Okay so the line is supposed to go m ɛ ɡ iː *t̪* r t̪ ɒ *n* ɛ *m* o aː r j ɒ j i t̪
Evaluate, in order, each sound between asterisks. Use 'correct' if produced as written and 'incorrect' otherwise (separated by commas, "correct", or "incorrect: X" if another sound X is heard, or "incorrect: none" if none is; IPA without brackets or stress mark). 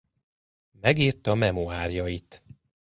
incorrect: none, incorrect: m, correct